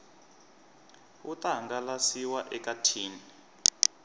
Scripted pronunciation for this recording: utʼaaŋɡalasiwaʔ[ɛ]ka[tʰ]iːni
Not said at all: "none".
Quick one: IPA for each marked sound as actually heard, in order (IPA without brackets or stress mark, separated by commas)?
ɛ, tʰ